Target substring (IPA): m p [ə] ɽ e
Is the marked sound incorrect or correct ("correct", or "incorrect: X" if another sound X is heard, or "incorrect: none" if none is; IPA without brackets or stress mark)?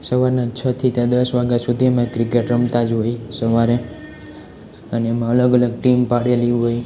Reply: incorrect: a